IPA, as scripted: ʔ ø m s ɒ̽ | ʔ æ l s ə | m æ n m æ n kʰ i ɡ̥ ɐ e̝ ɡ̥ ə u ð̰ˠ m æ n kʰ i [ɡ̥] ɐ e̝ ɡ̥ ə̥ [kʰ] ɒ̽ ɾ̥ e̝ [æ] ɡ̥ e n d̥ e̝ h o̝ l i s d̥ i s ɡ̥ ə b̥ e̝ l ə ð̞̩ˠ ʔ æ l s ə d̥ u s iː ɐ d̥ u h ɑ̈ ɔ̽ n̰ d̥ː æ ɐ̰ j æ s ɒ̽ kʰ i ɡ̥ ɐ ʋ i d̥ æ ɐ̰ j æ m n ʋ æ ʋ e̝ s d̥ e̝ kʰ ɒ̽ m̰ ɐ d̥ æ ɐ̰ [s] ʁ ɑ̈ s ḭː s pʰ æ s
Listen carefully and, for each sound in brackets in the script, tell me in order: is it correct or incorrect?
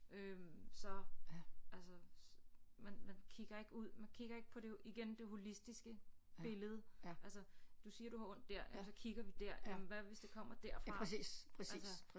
correct, incorrect: pʰ, incorrect: i, incorrect: f

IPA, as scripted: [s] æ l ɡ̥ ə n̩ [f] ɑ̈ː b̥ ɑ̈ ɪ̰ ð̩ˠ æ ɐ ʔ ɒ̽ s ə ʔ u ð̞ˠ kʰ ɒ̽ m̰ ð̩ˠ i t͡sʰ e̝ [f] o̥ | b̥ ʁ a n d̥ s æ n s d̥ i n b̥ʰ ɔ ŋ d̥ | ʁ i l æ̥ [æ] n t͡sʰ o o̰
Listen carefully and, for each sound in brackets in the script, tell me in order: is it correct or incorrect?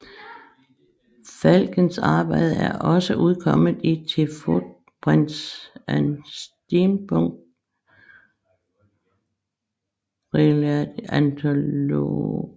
incorrect: f, incorrect: s, correct, correct

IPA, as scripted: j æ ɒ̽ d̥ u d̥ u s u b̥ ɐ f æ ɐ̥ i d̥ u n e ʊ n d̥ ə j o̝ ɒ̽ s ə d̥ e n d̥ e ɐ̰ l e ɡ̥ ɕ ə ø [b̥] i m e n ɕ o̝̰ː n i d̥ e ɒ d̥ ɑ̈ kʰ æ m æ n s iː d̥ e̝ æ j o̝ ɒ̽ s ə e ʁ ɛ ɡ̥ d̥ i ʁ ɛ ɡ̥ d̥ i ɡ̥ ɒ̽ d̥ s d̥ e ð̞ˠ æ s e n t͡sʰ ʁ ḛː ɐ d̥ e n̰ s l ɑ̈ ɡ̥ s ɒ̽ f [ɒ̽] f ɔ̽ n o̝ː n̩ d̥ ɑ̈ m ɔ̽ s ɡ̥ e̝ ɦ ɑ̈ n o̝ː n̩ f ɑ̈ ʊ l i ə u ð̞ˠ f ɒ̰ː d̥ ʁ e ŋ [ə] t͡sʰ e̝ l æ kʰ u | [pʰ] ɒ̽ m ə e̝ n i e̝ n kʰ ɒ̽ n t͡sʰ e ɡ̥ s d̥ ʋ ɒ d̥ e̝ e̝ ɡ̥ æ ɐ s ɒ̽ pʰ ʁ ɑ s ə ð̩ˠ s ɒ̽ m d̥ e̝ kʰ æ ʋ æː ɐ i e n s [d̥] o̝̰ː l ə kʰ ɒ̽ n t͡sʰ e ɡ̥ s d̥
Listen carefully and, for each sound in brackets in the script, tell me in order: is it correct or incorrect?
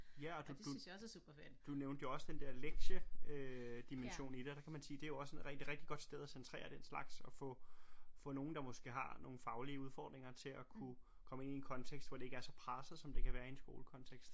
incorrect: d̥, incorrect: ɔ̽, incorrect: ɐ, incorrect: kʰ, incorrect: ɡ̥

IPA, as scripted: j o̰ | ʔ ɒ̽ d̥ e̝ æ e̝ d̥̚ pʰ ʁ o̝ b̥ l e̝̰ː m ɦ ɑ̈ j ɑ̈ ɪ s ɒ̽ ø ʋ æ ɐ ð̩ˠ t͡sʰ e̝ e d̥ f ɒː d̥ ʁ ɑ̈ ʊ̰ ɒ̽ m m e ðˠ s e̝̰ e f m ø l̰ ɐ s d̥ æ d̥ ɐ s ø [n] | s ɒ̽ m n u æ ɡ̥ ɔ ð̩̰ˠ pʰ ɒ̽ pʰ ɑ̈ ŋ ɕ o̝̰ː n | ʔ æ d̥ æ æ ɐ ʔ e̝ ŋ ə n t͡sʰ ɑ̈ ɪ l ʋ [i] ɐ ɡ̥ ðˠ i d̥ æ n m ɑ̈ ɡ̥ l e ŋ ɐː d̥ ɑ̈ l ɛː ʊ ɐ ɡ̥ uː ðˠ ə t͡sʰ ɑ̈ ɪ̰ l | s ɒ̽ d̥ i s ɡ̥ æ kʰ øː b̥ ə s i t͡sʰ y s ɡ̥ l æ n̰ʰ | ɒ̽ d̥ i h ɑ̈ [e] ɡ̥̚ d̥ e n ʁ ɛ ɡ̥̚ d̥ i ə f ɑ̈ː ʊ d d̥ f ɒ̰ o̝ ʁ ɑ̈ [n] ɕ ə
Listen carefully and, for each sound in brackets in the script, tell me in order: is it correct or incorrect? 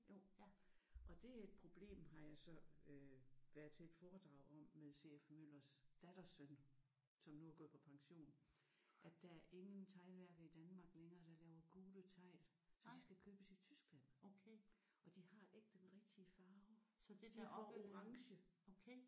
correct, incorrect: æ, correct, incorrect: ŋ

